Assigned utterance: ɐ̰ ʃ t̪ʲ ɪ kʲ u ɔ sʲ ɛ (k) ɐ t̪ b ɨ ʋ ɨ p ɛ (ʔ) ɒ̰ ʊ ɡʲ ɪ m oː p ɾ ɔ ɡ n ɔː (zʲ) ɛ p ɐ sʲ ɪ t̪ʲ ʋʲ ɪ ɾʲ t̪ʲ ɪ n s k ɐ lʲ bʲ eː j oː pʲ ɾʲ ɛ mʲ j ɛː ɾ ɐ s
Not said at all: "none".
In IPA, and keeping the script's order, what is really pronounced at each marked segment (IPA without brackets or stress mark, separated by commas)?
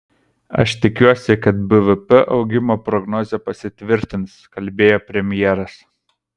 k, ʔ, zʲ